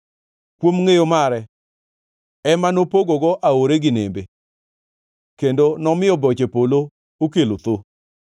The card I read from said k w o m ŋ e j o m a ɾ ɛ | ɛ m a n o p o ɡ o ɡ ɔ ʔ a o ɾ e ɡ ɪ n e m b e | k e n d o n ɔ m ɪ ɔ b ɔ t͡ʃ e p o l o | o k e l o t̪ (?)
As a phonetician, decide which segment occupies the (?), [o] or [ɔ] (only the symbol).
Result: o